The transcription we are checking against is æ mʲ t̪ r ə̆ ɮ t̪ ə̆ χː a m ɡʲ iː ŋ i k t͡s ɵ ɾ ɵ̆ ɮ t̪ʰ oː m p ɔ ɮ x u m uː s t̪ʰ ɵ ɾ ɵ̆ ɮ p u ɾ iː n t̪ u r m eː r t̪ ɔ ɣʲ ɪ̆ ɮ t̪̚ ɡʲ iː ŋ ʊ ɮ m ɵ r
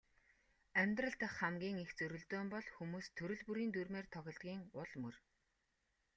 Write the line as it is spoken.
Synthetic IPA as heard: æ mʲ t̪ r ə̆ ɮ t̪ ə̆ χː a m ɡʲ iː ŋ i x t͡s ɵ ɾ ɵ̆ ɮ t̪ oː m p ɔ ɮ x u m uː s t̪ʰ ɵ ɾ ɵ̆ ɮ p u ɾ iː n t̪ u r m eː r t̪ʰ ɔ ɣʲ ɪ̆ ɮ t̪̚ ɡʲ iː ŋ ʊ ɮ m ɵ r